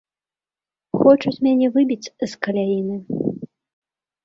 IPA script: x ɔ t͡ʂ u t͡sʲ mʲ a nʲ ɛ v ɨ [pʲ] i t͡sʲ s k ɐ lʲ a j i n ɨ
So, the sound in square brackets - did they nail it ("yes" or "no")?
no